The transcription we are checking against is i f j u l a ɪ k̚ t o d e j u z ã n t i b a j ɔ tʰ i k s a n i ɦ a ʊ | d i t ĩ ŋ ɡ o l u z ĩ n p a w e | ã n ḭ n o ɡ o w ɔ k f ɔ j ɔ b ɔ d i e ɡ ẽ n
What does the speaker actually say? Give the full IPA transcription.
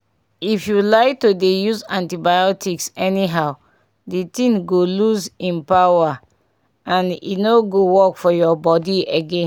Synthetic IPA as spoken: i f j u l a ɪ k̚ t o d e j u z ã n t i b a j ɔ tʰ i k s ɛ n i ɦ a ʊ | d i t ĩ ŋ ɡ o l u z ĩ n p a w a | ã n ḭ n o ɡ o w ɔ k f ɔ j ɔ b ɔ d i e ɡ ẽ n

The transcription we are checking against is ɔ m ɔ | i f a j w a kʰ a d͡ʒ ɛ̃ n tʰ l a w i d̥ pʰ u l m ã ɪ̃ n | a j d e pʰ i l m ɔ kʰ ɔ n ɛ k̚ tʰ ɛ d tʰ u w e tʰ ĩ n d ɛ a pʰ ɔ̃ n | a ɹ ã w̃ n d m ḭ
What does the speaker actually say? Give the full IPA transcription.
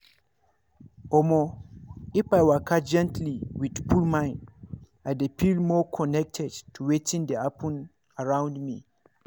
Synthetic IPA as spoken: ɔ m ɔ | i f a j w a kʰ a d͡ʒ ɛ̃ n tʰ l i w i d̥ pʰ u l m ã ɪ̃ n | a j d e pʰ i l m ɔ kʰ ɔ n ɛ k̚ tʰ ɛ d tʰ u w e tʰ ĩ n d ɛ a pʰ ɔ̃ n | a ɹ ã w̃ n d m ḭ

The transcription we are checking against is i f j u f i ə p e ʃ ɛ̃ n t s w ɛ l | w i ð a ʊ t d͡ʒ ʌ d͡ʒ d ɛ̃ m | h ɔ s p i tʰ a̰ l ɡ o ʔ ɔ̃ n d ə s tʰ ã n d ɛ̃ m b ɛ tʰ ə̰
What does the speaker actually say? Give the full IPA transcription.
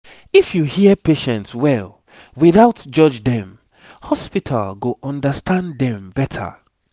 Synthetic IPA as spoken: i f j u h i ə p e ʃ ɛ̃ n t s w ɛ l | w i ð a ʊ t d͡ʒ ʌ d͡ʒ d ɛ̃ m | h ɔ s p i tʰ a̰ l ɡ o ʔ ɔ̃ n d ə s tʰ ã n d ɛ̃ m b ɛ tʰ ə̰

